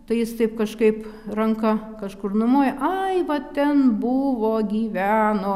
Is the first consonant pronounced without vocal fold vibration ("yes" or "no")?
yes